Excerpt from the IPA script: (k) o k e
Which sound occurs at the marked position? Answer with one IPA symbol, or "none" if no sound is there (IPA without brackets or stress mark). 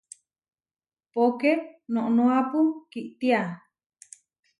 p